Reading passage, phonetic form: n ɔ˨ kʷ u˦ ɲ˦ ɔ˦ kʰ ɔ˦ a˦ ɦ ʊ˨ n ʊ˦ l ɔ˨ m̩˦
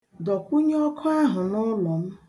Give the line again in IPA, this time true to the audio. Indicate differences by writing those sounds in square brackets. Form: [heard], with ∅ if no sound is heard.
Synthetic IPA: [d] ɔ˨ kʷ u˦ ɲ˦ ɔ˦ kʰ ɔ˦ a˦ ɦ ʊ˨ n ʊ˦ l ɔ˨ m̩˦